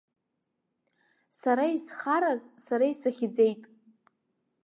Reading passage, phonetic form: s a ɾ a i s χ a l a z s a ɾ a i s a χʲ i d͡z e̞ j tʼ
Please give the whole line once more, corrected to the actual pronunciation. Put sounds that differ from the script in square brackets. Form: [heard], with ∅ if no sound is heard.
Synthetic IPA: s a ɾ a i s χ a [ɾ] a z s a ɾ a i s a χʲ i d͡z e̞ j tʼ